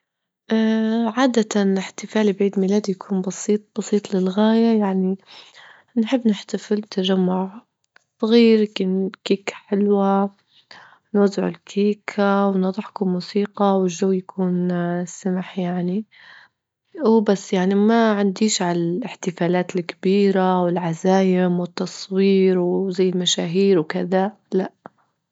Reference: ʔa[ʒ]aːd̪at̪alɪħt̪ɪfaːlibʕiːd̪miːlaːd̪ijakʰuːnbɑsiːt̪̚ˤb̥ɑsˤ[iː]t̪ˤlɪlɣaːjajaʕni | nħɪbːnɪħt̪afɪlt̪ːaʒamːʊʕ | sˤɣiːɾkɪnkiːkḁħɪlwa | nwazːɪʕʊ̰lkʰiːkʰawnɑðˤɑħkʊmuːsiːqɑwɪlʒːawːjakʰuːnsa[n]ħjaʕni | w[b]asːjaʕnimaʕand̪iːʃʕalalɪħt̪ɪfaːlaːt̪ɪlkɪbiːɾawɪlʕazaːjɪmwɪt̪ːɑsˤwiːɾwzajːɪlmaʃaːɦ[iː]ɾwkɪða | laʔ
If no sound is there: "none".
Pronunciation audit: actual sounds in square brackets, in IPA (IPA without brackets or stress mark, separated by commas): ʕ, iː, m, b, iː